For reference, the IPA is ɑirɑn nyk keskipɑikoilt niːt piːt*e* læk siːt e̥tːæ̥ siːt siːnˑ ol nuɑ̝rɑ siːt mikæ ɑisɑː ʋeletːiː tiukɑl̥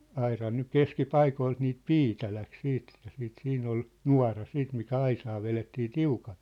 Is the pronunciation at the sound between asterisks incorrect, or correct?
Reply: incorrect